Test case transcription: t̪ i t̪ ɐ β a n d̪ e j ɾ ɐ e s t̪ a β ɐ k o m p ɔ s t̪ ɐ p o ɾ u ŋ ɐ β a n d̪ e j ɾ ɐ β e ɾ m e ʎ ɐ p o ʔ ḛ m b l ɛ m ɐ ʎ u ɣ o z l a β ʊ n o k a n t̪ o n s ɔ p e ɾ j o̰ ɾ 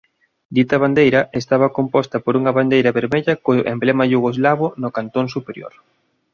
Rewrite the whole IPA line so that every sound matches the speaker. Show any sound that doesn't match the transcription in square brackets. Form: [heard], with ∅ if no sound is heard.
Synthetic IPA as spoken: [d̪] i t̪ ɐ β a n d̪ e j ɾ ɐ e s t̪ a β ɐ k o m p ɔ s t̪ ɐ p o ɾ u ŋ ɐ β a n d̪ e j ɾ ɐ β e ɾ m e ʎ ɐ [k] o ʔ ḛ m b l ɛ m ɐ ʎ u ɣ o z l a β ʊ n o k a n t̪ o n s [u] p e ɾ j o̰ ɾ